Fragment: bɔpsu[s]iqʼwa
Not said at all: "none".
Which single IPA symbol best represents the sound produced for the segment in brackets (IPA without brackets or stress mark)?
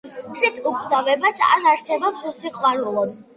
s